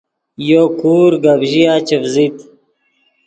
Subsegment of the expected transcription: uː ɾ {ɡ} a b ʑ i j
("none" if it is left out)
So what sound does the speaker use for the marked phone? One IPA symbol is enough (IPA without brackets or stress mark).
ɡ